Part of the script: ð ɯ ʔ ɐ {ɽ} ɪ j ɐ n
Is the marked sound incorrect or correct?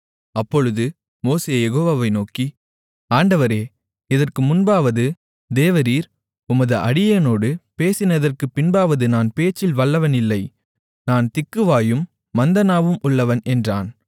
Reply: correct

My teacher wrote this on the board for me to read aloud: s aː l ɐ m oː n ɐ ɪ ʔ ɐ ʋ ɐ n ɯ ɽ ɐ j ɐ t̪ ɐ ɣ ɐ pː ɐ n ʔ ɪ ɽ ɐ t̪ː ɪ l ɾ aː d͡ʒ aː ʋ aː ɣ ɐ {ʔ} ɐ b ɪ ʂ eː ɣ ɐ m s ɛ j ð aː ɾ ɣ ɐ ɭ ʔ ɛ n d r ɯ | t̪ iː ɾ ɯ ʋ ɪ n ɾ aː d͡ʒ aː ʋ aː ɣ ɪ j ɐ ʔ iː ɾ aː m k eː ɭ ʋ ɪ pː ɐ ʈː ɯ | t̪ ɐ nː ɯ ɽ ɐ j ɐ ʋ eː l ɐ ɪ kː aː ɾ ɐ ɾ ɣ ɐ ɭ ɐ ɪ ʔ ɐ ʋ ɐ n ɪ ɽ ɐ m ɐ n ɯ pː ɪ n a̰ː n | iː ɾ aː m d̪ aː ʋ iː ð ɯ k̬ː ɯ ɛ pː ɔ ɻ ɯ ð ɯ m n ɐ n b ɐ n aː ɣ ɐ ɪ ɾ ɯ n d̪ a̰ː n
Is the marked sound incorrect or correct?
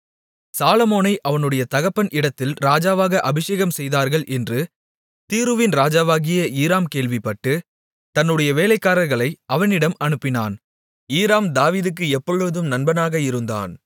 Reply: correct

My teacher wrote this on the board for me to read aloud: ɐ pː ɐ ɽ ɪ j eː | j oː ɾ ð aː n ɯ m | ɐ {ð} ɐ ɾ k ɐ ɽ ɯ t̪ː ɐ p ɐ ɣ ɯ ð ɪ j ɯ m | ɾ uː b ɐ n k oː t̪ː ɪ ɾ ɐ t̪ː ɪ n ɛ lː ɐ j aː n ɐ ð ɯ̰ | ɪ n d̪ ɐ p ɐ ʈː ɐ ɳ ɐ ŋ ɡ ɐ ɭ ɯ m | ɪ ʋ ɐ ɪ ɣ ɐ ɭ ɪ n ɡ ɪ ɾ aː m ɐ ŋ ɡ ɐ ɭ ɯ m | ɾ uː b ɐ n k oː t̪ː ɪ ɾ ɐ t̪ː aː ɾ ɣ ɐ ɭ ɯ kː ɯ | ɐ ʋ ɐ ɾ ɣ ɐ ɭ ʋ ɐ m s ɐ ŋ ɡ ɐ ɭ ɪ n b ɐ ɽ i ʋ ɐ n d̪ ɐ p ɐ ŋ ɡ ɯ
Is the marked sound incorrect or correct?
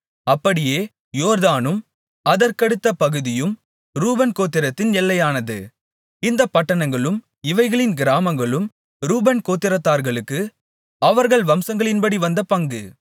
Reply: correct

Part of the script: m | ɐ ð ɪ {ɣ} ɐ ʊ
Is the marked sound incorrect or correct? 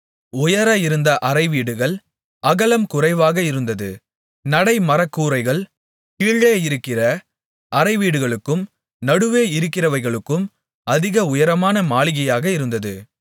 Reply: correct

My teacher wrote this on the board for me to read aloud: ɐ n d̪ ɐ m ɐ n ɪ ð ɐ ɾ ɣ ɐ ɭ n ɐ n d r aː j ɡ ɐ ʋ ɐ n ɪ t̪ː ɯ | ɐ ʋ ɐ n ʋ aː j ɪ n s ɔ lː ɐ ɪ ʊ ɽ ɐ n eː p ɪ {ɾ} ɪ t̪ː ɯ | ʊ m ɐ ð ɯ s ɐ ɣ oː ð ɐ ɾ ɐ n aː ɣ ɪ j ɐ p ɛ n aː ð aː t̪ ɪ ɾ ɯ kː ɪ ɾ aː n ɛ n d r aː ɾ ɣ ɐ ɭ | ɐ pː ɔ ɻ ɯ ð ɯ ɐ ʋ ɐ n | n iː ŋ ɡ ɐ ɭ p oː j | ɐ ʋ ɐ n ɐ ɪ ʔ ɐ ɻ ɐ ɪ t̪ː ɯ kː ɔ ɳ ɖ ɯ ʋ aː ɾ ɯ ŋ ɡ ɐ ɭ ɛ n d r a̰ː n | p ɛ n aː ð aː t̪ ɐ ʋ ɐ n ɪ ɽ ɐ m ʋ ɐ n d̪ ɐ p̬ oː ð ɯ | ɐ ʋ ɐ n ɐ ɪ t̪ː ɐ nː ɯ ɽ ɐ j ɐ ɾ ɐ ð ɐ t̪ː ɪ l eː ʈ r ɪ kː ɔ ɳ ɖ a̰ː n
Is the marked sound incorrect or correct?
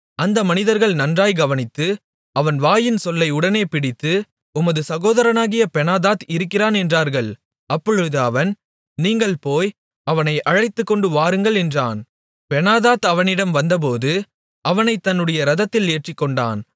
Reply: incorrect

